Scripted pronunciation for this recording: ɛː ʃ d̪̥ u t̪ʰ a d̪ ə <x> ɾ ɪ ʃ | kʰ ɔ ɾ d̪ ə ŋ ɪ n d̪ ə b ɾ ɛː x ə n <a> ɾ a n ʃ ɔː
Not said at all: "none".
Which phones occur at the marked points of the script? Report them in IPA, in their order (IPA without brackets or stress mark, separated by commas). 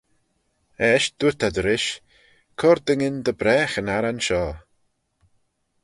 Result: none, a